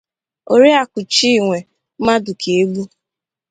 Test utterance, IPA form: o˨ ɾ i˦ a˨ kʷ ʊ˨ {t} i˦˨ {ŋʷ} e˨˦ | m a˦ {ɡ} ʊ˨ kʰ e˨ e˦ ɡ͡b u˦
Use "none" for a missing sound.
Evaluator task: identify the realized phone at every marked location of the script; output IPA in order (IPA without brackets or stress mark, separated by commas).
t͡ʃ, ŋʷ, d